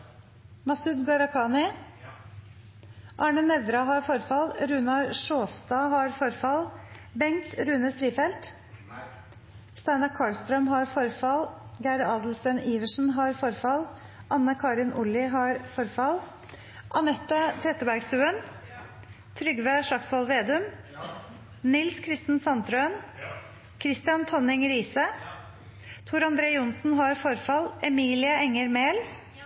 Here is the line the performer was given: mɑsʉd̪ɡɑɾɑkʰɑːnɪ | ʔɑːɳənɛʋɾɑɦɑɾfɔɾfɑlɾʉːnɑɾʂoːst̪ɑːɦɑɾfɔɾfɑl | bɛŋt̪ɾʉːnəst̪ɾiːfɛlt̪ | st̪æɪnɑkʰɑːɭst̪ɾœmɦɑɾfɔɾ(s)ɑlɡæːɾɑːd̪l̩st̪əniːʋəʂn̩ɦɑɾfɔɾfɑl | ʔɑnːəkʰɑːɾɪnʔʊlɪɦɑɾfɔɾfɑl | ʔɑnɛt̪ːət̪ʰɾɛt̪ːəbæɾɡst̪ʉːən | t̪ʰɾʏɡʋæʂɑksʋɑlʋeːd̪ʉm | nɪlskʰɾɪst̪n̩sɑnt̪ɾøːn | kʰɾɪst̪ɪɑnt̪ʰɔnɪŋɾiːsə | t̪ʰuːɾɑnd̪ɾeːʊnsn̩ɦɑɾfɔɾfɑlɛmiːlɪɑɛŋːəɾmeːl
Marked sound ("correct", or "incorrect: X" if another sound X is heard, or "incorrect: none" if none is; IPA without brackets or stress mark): incorrect: f